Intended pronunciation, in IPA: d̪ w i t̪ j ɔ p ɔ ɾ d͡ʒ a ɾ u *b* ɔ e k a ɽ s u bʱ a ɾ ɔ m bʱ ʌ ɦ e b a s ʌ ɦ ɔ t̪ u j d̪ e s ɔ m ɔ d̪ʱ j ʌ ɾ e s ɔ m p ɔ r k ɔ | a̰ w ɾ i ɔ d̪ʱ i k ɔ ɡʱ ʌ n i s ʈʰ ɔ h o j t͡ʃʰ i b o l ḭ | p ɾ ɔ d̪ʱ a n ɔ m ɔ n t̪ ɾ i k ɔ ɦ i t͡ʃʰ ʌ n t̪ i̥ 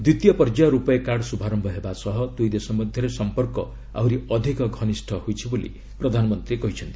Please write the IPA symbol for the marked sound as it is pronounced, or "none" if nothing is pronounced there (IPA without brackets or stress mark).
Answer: p